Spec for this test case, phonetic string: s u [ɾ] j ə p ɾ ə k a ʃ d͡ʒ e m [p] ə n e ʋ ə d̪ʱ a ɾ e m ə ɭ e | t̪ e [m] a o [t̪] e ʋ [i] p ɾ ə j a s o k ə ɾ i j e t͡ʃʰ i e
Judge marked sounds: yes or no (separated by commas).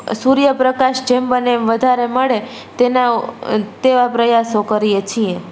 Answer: yes, no, no, yes, no